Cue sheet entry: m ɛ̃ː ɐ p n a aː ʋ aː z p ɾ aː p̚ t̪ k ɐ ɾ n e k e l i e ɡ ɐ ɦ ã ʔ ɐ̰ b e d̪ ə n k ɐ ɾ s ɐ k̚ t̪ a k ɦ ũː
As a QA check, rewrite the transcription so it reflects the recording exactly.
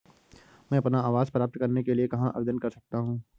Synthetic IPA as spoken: m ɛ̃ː ɐ p n a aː ʋ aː z p ɾ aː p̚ t̪ k ɐ ɾ n e k e l i e k ɐ ɦ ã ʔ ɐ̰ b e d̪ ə n k ɐ ɾ s ɐ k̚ t̪ a ɦ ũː